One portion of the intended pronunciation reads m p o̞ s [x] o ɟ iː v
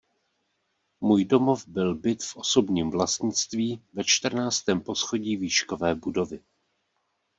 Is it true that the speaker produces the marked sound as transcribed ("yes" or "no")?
yes